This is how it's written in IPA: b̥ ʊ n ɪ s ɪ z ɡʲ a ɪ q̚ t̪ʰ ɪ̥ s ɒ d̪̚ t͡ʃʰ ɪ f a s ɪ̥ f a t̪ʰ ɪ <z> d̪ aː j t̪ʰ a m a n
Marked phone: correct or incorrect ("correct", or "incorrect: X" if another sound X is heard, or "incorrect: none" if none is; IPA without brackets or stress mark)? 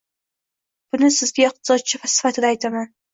incorrect: none